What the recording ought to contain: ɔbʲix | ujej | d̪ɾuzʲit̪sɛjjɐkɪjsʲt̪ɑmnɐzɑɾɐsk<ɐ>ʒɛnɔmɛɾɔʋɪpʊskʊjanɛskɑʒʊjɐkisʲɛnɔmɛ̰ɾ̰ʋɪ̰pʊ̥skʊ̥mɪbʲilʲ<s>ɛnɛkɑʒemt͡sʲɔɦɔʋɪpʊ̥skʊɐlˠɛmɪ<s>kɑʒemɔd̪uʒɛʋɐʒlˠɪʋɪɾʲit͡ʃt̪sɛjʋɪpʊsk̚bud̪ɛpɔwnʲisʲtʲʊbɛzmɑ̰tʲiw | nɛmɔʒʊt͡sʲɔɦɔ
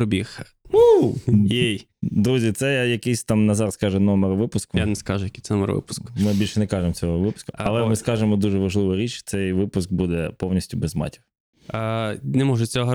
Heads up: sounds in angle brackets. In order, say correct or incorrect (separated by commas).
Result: incorrect, incorrect, correct